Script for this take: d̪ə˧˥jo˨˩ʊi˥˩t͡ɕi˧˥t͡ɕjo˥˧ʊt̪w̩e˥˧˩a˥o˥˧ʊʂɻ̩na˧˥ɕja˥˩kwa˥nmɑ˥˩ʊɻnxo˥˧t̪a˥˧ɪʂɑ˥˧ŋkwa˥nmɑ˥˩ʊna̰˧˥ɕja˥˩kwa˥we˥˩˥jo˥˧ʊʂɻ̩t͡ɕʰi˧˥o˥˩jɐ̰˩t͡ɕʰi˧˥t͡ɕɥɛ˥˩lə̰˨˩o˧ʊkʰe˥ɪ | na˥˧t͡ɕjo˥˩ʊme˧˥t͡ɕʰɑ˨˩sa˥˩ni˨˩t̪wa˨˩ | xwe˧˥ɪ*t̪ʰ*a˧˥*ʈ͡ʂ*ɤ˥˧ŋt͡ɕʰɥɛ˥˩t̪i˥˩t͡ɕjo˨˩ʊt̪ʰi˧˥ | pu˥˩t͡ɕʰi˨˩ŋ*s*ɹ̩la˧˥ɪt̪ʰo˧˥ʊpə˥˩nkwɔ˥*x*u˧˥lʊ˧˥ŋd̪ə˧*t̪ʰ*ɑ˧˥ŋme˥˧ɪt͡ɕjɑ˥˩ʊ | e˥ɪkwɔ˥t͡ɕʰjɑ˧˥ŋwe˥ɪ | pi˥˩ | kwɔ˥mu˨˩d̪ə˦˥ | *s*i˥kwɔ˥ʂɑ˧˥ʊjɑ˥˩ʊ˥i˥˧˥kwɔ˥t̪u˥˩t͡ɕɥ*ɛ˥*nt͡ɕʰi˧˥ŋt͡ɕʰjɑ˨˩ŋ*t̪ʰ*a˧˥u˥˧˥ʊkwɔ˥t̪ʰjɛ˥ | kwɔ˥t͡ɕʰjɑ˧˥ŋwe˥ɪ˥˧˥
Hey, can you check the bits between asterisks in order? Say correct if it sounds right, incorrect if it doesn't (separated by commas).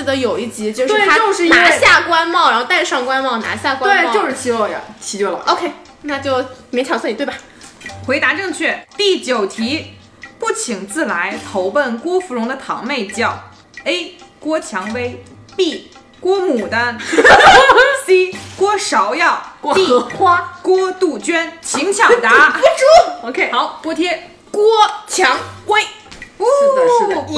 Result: incorrect, correct, incorrect, incorrect, correct, correct, correct, incorrect